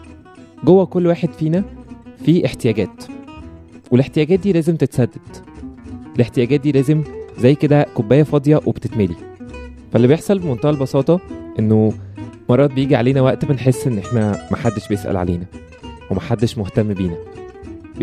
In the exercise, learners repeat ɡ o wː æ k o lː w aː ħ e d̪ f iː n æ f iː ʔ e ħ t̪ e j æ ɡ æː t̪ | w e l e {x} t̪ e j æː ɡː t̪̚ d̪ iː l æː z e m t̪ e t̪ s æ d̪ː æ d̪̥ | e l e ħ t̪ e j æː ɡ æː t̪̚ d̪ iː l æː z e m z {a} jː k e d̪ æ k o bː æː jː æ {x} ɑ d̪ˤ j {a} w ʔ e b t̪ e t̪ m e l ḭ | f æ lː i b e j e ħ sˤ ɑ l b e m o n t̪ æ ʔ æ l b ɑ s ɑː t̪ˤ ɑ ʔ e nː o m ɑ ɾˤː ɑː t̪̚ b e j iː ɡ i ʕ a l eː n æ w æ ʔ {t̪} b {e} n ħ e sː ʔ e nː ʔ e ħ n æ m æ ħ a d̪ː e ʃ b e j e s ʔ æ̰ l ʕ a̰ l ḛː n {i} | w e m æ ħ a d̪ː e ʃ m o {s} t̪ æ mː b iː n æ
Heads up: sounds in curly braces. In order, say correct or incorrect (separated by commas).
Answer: incorrect, incorrect, incorrect, incorrect, correct, correct, incorrect, incorrect